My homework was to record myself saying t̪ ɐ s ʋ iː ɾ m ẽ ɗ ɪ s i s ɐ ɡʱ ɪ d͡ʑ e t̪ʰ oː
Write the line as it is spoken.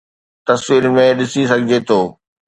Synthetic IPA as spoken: t̪ ɐ s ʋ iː ɾ m ẽ ɗ ɪ s i s ɐ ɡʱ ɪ d͡ʑ e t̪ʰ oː